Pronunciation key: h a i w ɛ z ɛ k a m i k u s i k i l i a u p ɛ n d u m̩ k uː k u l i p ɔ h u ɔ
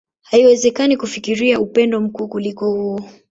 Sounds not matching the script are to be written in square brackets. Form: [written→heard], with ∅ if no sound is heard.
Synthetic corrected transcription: h a i w ɛ z ɛ k a [m→n] i k u [s→f] i k i [l→ɾ] i a u p ɛ n d [u→ɔ] m̩ k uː k u l i [p→k] ɔ h u ɔ